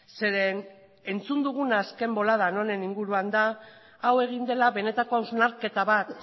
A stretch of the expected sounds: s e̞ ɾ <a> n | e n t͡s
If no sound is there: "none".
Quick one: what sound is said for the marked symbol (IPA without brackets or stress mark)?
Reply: e